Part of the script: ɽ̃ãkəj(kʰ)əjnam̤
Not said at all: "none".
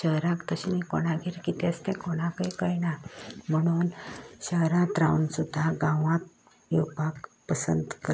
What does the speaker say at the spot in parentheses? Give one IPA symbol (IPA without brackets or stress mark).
k